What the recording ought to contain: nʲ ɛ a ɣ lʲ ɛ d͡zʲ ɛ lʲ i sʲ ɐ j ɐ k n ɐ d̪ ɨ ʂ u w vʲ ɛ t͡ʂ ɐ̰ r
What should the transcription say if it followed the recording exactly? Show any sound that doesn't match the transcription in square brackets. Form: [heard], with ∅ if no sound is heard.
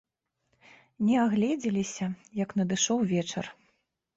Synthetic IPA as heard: nʲ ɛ a ɣ lʲ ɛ d͡zʲ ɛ lʲ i sʲ ɐ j ɐ k n ɐ d̪ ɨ ʂ [ɔ] w vʲ ɛ t͡ʂ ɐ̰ r